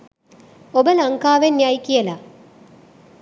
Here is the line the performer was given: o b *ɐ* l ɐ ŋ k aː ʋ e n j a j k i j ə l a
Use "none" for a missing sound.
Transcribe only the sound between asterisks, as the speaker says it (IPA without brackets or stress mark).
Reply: ə